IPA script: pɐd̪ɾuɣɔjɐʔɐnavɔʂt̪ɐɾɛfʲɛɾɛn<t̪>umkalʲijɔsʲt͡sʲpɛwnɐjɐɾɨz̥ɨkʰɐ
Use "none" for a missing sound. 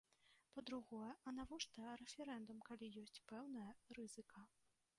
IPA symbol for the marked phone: d̪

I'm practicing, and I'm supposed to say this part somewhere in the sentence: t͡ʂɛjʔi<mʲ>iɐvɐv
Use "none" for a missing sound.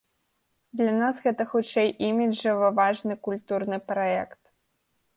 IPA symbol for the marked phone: mʲ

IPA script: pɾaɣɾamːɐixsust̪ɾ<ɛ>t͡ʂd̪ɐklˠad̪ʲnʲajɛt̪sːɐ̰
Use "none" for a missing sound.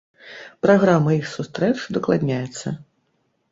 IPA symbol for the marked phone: ɛ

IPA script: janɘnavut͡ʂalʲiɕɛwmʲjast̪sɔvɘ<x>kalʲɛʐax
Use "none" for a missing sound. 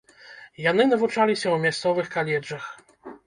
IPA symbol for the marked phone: x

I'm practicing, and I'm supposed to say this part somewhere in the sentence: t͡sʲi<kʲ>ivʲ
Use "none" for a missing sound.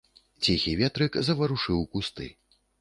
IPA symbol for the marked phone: xʲ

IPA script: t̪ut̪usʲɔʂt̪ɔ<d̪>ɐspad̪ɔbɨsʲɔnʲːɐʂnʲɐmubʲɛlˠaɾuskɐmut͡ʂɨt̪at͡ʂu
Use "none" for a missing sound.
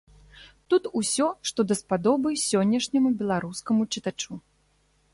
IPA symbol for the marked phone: d̪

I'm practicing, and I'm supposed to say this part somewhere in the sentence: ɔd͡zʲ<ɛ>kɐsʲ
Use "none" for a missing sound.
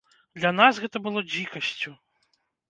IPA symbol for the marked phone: i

